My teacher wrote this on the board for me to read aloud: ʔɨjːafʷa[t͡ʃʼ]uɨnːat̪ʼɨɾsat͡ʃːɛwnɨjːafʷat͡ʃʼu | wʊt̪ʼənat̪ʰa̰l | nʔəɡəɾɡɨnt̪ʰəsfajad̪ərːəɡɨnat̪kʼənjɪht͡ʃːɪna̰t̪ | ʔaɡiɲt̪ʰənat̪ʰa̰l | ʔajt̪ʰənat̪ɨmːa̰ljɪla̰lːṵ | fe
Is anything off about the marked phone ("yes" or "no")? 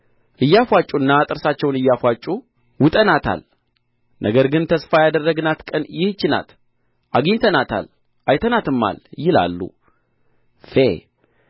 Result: no